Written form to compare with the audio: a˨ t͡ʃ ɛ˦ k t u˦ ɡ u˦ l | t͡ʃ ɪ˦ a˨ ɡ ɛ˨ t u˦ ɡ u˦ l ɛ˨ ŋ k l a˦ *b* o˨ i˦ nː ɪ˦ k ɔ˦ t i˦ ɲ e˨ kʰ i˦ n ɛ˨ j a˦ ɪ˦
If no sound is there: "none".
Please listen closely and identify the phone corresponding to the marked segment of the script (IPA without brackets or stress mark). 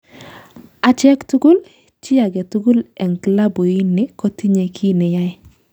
b